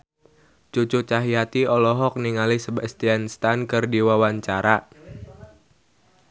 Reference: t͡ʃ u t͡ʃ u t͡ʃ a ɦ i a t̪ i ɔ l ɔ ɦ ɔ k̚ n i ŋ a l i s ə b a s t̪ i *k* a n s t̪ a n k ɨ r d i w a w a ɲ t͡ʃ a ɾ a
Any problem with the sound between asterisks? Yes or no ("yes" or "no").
yes